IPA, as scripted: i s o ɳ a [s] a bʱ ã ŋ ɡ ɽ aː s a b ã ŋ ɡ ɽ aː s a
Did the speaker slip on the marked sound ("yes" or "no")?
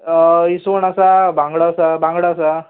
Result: no